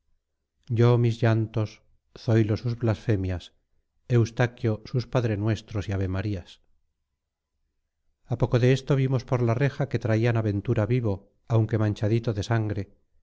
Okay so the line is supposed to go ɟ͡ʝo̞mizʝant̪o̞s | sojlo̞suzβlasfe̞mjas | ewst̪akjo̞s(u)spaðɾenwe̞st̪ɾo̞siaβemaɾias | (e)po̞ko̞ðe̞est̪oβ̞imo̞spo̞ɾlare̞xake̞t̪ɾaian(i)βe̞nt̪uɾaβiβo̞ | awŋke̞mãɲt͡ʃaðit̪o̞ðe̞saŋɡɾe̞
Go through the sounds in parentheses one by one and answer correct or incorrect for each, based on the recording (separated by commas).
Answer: correct, incorrect, incorrect